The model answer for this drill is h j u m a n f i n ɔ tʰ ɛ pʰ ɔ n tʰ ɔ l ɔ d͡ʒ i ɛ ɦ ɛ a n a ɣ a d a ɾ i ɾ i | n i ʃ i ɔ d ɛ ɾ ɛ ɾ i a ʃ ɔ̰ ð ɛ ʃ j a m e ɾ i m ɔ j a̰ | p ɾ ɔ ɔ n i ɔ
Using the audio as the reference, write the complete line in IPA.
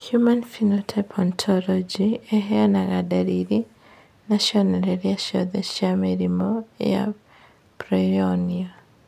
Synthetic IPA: h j u m a n f i n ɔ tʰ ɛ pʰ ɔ n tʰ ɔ l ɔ d͡ʒ i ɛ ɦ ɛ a n a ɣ a d a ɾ i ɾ i | n a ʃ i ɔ n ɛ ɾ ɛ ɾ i a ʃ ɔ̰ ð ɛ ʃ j a m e ɾ i m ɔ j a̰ | p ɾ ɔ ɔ n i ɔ

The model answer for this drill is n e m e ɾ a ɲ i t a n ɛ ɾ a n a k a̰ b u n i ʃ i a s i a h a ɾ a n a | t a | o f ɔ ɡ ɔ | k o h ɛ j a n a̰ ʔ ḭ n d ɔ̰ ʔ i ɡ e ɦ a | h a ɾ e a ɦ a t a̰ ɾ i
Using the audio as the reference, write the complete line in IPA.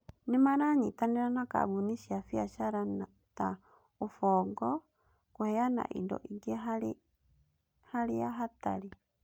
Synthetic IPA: n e m a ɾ a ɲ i t a n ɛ ɾ a n a k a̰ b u n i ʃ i a f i a ʃ a ɾ a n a | t a | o f ɔ ɡ ɔ | k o h ɛ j a n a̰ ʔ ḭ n d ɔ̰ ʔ i ɡ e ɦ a | h a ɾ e a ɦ a t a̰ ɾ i

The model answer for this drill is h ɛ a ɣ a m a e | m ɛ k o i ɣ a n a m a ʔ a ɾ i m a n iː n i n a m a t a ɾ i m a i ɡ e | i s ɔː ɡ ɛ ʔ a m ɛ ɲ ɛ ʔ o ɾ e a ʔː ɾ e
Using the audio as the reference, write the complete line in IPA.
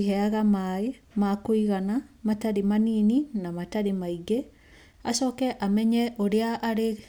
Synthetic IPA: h ɛ a ɣ a m a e | m a k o i ɣ a n a m a t a ɾ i m a n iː n i n a m a t a ɾ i m a i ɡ e | a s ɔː k ɛ ʔ a m ɛ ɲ ɛ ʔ o ɾ e a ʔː ɾ e

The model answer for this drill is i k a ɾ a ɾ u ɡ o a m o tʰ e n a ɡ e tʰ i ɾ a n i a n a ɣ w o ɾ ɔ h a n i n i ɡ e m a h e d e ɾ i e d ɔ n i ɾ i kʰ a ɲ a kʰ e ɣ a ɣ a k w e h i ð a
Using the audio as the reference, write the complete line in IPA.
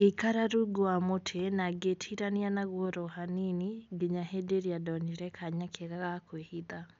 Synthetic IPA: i k a ɾ a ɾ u ɡ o a m o tʰ e n a ɡ e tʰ i ɾ a n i a n a ɣ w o ɾ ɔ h a n i n i ɡ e ɲ a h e d e ɾ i a d ɔ n i ɾ ɛ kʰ a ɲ a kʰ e ɣ a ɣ a k w e h i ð a

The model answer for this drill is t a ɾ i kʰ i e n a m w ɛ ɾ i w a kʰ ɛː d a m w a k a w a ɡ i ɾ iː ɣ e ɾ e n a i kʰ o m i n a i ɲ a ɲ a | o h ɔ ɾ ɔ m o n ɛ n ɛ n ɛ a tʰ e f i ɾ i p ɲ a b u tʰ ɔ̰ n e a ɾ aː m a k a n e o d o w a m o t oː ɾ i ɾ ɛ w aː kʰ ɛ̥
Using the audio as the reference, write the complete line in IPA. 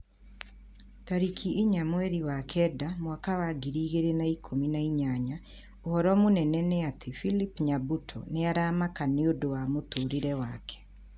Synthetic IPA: t a ɾ i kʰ i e ɲ a m w ɛ ɾ i w a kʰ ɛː d a m w a k a w a ɡ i ɾ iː ɣ e ɾ e n a i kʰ o m i n a i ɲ a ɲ a | o h ɔ ɾ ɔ m o n ɛ n ɛ n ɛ a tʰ e f i l i p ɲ a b u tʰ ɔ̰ n e a ɾ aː m a k a n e o d o w a m o t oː ɾ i ɾ ɛ w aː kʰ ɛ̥

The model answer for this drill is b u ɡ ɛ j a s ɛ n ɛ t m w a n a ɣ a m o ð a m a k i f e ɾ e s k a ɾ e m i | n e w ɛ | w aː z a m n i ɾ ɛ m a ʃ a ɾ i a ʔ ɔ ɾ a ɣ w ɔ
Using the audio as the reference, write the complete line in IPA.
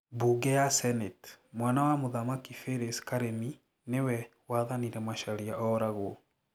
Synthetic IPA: b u ɡ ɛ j a s ɛ n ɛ t m w a n a w a m o ð a m a k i f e ɾ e s k a ɾ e m i | n e w ɛ | w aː ð a n i ɾ ɛ m a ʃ a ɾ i a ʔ ɔ ɾ a ɣ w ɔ

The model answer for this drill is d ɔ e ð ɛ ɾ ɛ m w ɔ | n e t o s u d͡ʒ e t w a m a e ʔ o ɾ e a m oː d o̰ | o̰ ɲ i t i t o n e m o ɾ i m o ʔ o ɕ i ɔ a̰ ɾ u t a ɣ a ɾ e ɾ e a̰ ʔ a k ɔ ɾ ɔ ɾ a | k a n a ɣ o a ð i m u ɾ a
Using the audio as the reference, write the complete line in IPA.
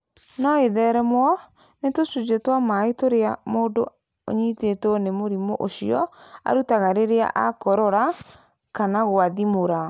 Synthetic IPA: n ɔ e ð ɛ ɾ ɛ m w ɔ | n e t o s u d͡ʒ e t w a m a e t o ɾ e a m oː d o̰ | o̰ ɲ i t e t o n e m o ɾ i m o ʔ o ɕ i ɔ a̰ ɾ u t a ɣ a ɾ e ɾ e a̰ ʔ a k ɔ ɾ ɔ ɾ a | k a n a ɣ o a ð i m o ɾ a

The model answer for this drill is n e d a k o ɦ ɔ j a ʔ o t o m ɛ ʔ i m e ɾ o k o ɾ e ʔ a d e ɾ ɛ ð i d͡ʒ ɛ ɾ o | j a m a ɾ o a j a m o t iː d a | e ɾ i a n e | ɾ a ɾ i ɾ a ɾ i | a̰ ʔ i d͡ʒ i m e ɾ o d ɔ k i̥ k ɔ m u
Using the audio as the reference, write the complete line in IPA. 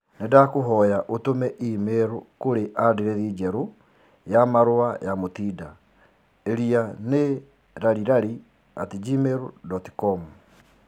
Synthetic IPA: n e d a k o ɦ ɔ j a ʔ o t o m ɛ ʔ i m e ɾ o k o ɾ e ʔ a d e ɾ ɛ ð i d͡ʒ ɛ ɾ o | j a m a ɾ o a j a m o t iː d a | e ɾ i a n e | ɾ a ɾ i ɾ a ɾ i | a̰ t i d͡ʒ i m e ɾ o d ɔ t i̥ k ɔ m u

